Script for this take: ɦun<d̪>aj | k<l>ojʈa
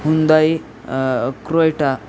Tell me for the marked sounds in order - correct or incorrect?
correct, incorrect

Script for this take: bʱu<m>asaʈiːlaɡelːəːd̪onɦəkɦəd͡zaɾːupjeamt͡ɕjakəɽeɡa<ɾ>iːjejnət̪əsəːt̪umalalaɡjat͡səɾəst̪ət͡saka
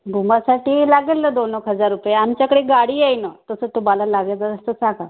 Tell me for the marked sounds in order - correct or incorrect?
correct, incorrect

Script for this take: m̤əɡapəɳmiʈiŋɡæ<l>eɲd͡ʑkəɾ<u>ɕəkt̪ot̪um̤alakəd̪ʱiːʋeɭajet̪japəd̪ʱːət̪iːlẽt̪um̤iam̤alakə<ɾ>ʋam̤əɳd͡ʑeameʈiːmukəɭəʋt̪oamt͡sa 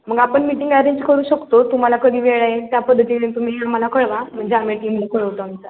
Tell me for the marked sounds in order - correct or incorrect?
incorrect, incorrect, incorrect

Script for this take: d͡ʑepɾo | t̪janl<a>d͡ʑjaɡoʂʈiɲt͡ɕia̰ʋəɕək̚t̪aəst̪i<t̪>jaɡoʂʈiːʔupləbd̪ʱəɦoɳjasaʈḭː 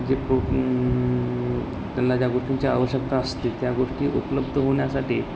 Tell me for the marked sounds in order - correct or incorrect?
correct, correct

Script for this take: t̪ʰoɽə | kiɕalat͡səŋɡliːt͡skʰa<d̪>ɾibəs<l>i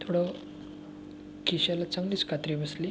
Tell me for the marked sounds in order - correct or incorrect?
incorrect, correct

